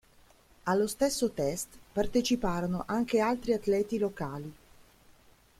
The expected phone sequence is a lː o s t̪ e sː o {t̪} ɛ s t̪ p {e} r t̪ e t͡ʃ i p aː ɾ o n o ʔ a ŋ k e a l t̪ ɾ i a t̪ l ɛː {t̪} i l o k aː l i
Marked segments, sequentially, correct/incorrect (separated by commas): correct, incorrect, correct